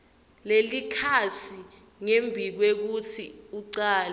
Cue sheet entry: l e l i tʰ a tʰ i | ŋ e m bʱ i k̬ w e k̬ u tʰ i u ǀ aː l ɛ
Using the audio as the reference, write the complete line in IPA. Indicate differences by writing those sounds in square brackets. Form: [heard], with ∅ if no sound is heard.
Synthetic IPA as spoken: l e l i [kʰ] a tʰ i | ŋ e m bʱ i k̬ w e k̬ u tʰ i u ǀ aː l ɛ